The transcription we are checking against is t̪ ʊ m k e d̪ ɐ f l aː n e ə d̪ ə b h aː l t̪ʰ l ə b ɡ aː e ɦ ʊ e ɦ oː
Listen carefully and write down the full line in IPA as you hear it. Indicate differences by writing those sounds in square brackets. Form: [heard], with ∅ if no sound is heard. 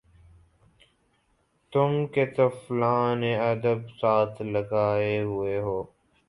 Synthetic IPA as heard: t̪ ʊ m k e [t̪] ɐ f l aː n e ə d̪ ə b [s] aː [∅] t̪ʰ l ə [∅] ɡ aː e ɦ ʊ e ɦ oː